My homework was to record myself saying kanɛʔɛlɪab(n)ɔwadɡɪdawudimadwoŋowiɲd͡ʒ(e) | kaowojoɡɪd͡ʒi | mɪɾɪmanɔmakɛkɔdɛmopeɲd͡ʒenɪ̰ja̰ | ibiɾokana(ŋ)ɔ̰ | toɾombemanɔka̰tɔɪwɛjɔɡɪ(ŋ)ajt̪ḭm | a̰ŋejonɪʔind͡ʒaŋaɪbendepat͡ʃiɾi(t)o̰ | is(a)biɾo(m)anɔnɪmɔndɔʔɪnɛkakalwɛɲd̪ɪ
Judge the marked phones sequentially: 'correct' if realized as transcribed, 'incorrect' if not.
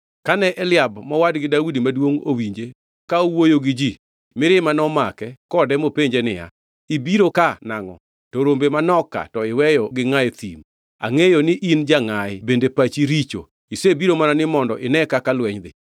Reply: incorrect, correct, correct, correct, incorrect, incorrect, correct

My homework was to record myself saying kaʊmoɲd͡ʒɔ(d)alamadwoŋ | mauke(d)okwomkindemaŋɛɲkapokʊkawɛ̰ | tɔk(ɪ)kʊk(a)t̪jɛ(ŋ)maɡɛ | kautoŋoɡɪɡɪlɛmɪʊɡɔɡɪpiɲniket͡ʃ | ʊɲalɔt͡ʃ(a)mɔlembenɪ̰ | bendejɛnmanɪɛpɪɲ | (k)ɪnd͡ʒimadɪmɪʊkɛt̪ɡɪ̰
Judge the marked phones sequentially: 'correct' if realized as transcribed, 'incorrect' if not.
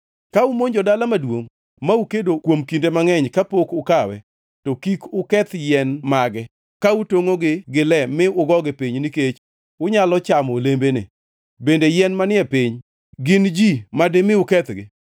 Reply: correct, correct, incorrect, incorrect, incorrect, correct, incorrect

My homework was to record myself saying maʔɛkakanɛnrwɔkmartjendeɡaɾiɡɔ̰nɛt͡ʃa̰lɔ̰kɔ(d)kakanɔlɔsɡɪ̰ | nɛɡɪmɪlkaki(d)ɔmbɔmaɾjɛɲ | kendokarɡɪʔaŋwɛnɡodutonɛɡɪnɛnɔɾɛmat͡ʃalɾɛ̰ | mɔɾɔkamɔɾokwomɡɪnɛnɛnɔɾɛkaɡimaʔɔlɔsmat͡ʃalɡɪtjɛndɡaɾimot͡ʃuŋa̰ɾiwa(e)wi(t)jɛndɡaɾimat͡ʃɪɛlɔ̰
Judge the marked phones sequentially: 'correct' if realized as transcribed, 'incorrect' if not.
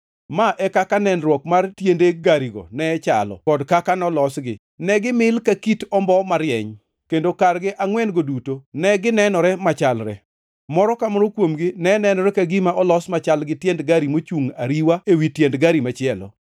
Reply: correct, incorrect, correct, correct

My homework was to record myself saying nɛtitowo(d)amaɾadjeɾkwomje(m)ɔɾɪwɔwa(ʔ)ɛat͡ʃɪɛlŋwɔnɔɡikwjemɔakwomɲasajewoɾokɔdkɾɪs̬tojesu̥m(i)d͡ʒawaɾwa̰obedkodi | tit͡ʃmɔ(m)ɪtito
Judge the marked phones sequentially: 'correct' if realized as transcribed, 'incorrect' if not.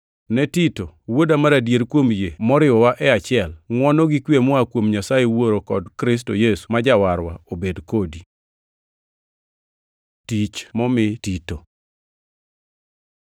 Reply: correct, correct, correct, incorrect, correct

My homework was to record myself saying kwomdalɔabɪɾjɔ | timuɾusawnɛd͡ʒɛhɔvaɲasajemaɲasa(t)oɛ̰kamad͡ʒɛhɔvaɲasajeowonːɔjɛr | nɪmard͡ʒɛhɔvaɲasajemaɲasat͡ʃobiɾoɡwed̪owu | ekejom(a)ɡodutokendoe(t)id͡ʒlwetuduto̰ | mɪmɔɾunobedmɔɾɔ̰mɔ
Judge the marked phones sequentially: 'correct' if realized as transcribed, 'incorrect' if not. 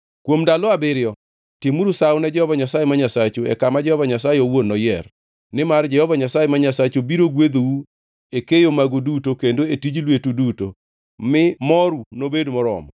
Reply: incorrect, correct, correct

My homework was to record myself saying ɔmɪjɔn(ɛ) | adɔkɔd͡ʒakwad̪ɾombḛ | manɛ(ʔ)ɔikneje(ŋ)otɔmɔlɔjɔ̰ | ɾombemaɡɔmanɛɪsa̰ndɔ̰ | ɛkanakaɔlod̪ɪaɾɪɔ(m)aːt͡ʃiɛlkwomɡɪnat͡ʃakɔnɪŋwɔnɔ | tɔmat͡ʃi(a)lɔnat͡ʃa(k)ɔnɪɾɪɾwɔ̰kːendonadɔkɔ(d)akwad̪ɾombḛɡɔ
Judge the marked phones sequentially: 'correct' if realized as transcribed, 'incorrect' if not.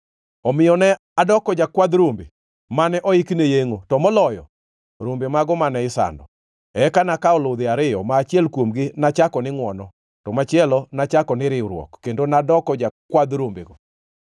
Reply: correct, correct, correct, correct, incorrect, correct, incorrect

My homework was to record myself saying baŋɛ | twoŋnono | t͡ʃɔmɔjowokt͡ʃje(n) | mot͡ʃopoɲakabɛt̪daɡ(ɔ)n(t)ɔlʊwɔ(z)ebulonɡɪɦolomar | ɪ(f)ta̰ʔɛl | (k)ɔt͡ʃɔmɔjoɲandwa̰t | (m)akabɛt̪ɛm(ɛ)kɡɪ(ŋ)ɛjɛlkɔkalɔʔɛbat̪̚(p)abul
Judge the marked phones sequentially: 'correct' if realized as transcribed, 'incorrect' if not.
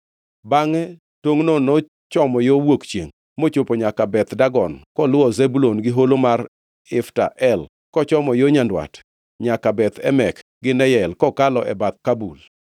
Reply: incorrect, correct, incorrect, correct, correct, correct, incorrect, correct, incorrect, incorrect

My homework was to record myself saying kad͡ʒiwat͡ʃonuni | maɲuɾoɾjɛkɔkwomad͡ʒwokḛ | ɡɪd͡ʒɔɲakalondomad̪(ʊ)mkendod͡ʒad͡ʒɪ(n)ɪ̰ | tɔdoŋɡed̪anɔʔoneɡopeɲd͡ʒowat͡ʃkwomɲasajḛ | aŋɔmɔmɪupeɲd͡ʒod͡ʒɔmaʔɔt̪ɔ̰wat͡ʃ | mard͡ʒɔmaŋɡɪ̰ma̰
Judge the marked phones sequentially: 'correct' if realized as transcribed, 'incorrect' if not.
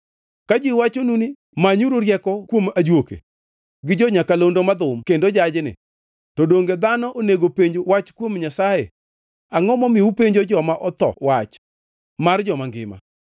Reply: correct, correct

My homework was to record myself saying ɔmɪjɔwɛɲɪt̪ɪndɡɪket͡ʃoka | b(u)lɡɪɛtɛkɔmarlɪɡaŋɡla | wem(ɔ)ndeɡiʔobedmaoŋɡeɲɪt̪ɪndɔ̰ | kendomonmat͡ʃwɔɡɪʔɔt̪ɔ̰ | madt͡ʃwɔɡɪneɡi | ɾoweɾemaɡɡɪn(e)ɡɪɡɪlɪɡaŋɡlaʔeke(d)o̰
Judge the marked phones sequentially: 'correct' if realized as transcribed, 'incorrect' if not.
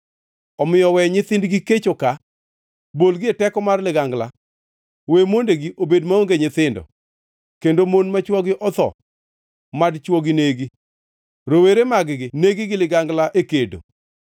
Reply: incorrect, incorrect, correct, correct

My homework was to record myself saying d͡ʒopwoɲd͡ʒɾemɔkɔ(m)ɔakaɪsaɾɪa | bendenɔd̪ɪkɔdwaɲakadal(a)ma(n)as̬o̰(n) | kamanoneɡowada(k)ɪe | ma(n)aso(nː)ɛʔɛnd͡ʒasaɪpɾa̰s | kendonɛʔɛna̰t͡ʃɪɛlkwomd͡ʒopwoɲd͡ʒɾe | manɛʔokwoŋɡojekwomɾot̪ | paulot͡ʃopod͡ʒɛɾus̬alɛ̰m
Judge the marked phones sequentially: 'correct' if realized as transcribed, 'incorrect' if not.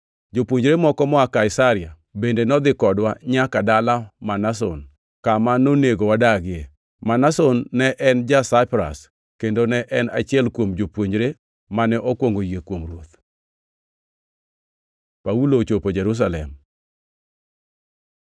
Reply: correct, correct, correct, correct, incorrect, correct, correct

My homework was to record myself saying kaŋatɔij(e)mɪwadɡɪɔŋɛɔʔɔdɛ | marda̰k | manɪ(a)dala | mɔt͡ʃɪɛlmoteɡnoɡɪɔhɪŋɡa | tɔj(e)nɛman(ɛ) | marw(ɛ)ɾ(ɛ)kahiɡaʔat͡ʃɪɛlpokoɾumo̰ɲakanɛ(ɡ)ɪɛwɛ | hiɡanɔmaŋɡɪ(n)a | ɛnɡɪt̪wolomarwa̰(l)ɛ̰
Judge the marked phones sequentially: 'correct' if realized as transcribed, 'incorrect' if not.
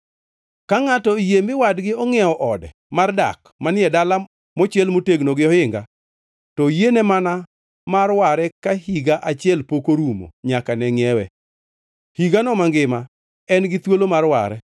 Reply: correct, incorrect, correct, incorrect, incorrect, correct, incorrect, incorrect, incorrect

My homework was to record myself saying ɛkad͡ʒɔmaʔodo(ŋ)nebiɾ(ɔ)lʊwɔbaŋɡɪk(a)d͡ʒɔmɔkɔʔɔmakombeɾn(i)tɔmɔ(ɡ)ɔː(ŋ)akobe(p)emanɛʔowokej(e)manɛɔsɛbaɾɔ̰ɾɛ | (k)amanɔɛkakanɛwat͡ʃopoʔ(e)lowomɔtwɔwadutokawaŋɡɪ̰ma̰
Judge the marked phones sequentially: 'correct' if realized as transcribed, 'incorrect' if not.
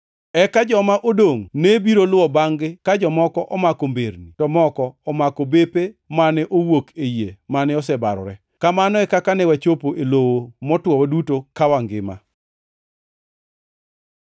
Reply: correct, incorrect, correct, correct, incorrect, incorrect, correct, correct, correct, correct

